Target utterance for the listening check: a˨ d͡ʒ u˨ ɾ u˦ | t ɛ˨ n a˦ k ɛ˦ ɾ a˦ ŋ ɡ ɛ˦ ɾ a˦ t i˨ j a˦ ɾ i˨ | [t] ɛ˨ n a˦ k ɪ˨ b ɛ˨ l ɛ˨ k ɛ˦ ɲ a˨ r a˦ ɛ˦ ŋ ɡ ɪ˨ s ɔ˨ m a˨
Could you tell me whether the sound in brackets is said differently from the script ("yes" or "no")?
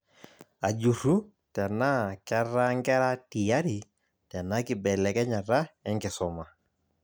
no